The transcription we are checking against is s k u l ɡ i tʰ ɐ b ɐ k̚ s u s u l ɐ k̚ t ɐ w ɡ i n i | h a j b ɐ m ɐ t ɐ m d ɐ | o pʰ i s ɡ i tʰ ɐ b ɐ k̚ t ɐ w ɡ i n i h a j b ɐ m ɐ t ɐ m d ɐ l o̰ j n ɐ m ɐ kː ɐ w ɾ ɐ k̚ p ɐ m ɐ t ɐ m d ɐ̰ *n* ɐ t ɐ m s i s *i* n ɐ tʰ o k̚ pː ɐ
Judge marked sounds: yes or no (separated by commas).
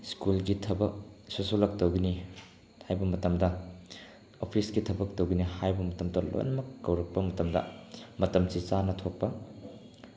no, no